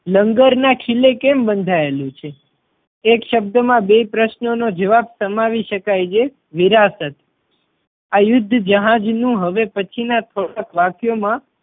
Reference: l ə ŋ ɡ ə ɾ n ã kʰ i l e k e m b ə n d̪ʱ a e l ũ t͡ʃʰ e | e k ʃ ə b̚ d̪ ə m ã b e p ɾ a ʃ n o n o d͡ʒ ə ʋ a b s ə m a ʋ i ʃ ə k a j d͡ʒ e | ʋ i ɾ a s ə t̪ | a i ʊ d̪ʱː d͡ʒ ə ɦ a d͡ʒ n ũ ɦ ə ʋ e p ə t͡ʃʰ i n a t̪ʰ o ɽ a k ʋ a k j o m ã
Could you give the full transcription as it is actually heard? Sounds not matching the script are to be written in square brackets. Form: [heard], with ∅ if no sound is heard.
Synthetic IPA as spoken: l ə ŋ ɡ ə ɾ n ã kʰ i l e k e m b ə n d̪ʱ a e l ũ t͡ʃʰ e | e k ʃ ə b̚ d̪ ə m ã b e p ɾ [ə] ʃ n o n o d͡ʒ ə ʋ a b s ə m a ʋ i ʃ ə k a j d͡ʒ e | ʋ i ɾ a s ə t̪ | a [j] ʊ d̪ʱː d͡ʒ ə ɦ a d͡ʒ n ũ ɦ ə ʋ e p ə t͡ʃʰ i n a t̪ʰ o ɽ a k ʋ a k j o m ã